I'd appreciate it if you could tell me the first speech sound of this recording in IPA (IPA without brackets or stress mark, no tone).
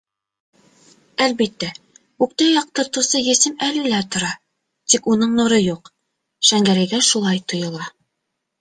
æ